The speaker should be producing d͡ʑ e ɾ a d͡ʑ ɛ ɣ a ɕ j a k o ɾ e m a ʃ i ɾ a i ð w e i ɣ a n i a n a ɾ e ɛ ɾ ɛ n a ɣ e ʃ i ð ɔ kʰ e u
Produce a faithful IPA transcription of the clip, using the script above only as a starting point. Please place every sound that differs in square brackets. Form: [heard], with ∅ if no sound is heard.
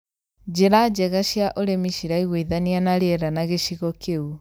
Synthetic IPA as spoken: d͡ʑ e ɾ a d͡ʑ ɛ ɣ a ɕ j a [ʔ] o ɾ e m [i] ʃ i ɾ a i [ɣ] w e i [ð] a n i a n a ɾ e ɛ ɾ [a] n a ɣ e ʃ i [ɣ] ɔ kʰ e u